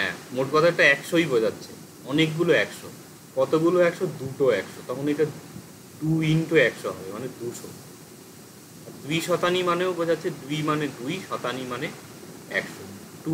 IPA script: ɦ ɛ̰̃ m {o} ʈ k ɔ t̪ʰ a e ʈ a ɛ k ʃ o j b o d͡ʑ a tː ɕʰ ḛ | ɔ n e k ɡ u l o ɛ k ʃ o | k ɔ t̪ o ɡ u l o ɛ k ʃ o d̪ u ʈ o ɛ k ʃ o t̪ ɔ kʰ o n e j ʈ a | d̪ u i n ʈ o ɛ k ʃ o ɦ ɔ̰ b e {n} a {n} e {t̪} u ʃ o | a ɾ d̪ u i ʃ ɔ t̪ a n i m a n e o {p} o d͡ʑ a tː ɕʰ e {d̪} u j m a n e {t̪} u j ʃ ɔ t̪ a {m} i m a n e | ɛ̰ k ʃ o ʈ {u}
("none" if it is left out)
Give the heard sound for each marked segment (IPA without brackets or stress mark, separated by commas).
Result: o, m, n, d̪, b, d̪, d̪, n, u